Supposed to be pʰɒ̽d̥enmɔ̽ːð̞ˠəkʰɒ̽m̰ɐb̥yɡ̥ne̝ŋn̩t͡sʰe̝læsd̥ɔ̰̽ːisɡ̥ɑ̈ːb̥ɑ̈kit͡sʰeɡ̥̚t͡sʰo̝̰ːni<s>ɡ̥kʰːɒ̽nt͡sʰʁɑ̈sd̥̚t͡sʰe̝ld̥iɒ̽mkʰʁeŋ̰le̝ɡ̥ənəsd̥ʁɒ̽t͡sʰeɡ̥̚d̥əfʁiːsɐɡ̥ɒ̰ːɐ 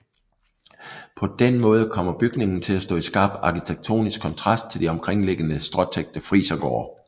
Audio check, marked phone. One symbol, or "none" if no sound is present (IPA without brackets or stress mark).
s